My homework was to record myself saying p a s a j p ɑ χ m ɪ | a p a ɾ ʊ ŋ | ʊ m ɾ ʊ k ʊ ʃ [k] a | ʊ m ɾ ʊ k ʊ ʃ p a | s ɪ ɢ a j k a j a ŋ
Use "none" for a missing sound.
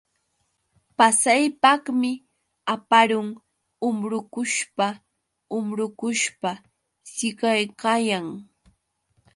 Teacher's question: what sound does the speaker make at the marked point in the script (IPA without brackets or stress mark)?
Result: p